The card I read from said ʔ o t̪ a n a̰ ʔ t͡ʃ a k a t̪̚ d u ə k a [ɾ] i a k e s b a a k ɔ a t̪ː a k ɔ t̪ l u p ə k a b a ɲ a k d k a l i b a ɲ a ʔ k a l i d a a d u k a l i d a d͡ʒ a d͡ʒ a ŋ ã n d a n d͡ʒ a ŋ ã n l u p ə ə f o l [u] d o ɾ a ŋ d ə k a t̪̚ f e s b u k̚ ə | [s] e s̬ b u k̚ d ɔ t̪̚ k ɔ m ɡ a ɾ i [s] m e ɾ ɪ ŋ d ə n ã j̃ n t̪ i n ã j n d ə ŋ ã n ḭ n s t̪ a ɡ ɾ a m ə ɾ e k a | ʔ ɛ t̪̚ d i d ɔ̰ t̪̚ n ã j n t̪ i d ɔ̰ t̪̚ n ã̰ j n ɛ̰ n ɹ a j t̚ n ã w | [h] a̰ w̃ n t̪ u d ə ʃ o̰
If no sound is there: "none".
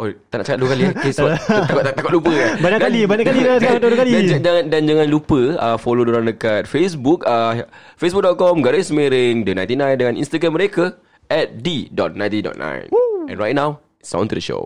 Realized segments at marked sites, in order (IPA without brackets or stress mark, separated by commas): l, o, f, s, s